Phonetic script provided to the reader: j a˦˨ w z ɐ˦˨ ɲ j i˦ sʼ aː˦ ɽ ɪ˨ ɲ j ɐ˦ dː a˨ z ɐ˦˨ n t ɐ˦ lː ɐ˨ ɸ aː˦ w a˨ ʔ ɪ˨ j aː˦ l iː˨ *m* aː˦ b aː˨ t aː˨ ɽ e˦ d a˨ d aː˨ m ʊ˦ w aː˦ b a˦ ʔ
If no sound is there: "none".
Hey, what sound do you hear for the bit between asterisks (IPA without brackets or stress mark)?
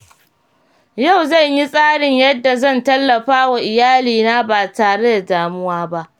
n